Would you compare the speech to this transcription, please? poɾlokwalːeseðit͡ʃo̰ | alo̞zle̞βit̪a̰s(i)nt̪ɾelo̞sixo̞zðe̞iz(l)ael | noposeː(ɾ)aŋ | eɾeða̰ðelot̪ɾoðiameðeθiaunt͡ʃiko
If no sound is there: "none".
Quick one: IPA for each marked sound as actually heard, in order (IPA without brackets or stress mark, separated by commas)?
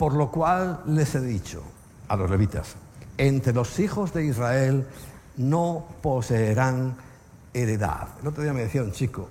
e, r, ɾ